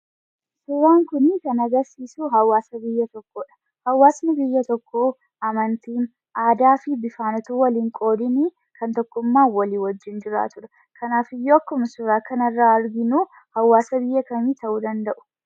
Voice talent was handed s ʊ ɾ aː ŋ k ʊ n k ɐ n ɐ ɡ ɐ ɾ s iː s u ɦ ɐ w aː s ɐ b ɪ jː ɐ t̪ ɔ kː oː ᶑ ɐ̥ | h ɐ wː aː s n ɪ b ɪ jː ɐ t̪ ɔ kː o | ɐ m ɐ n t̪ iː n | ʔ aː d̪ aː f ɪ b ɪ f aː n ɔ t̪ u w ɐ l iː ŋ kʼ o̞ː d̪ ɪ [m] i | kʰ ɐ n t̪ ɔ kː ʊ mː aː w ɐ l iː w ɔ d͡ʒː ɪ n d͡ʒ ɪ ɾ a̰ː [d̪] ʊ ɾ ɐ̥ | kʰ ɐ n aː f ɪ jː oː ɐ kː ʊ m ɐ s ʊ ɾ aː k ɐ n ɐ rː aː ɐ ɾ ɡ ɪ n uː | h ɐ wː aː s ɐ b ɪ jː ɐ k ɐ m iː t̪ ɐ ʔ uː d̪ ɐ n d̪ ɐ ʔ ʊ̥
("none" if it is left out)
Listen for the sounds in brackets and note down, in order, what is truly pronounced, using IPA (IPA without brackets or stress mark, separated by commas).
n, t̪